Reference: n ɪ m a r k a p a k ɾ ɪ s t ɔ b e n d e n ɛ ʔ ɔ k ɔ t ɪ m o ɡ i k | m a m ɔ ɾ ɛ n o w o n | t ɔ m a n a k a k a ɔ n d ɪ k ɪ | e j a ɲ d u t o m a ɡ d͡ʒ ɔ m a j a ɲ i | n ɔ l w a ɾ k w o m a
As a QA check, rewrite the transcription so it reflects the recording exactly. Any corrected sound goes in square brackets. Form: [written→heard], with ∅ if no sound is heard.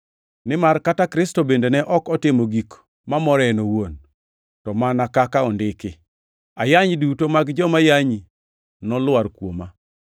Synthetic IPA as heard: n ɪ m a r k a [p→t] a k ɾ ɪ s t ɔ b e n d e n ɛ ʔ ɔ k ɔ t ɪ m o ɡ i k | m a m ɔ ɾ ɛ n o w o n | t ɔ m a n a k a k a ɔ n d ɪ k ɪ | [e→a] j a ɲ d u t o m a ɡ d͡ʒ ɔ m a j a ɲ i | n ɔ l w a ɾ k w o m a